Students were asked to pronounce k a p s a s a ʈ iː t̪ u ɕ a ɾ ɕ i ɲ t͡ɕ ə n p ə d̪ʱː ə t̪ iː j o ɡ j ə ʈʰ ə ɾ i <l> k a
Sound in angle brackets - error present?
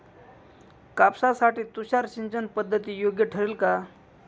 no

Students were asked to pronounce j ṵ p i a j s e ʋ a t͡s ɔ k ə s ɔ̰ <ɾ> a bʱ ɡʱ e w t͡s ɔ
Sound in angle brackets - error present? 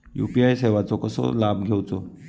yes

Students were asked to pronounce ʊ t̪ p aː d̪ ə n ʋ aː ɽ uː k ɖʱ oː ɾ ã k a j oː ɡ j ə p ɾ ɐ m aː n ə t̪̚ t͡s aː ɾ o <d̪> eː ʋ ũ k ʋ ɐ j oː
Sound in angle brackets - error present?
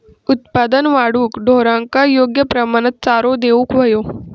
no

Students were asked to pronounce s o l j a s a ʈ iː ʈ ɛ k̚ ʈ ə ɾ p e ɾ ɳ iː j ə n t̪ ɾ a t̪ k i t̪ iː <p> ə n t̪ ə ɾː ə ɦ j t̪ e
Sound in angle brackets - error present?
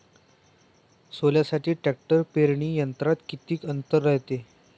yes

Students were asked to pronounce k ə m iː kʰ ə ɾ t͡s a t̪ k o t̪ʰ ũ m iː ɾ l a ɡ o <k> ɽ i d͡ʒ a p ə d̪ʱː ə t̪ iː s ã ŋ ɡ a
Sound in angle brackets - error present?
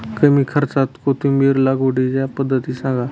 yes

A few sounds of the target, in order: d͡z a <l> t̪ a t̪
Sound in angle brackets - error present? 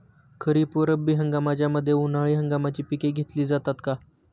yes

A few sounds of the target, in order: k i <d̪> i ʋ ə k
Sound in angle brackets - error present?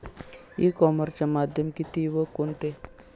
yes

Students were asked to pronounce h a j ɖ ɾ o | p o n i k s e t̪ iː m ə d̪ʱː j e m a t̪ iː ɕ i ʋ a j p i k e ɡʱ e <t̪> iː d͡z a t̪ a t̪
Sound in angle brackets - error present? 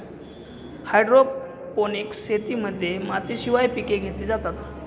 no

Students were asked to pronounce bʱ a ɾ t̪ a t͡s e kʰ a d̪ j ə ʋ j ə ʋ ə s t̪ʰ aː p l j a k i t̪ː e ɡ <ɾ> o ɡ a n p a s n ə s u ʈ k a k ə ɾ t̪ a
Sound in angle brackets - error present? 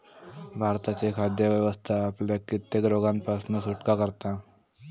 no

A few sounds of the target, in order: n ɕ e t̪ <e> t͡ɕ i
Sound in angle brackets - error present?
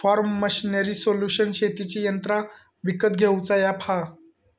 yes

